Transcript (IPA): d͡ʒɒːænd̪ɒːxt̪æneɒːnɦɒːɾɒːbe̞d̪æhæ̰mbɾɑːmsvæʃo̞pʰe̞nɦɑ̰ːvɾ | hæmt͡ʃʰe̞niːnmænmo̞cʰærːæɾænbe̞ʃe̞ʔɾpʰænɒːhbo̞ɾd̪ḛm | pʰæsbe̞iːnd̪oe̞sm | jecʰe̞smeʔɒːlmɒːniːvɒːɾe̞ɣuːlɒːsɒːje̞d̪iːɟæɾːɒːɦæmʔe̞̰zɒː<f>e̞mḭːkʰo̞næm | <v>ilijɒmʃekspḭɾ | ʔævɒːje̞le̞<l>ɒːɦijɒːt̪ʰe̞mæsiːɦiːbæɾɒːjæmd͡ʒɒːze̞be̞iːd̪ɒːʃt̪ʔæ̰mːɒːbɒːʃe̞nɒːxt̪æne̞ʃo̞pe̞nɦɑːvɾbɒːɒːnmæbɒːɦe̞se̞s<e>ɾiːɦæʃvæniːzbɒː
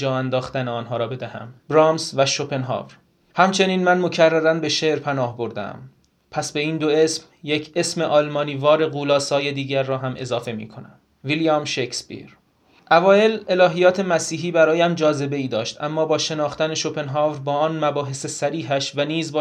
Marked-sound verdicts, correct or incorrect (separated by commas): correct, correct, correct, incorrect